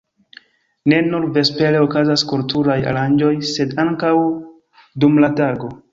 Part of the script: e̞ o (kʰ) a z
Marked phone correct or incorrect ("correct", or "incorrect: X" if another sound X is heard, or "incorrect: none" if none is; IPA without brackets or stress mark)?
incorrect: k